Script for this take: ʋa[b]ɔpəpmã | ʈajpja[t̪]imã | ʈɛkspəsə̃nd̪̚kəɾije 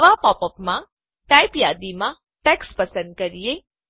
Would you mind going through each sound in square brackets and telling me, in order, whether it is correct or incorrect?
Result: incorrect: p, incorrect: d̪

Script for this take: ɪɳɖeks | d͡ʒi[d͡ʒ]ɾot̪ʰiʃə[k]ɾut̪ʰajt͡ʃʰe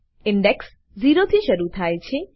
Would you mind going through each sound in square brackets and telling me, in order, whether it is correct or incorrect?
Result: incorrect: none, incorrect: none

